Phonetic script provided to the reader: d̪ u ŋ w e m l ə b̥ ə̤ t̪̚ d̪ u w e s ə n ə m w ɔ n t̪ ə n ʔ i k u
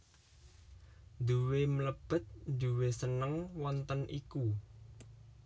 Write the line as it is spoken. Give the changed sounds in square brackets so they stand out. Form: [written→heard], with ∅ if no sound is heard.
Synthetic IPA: d̪ u [ŋ→∅] w e m l ə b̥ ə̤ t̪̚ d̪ u w e s ə n ə [m→ŋ] w ɔ n t̪ ə n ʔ i k u